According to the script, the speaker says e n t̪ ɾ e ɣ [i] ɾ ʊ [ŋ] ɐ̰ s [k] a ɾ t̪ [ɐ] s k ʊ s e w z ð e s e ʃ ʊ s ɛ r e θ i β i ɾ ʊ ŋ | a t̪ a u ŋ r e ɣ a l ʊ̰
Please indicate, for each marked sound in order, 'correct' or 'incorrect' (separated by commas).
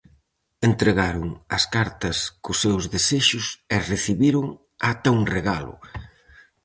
incorrect, correct, correct, correct